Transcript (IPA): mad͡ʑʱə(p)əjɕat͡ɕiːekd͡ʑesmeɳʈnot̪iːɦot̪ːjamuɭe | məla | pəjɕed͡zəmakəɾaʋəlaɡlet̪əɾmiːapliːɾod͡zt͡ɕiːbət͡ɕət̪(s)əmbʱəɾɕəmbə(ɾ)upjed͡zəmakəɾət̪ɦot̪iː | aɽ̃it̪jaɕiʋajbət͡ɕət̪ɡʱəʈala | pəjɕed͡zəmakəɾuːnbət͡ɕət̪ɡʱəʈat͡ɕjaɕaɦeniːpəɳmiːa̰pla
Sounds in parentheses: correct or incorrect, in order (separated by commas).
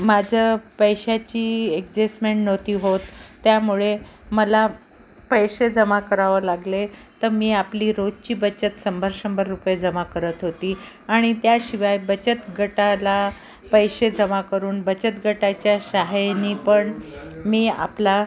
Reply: correct, correct, incorrect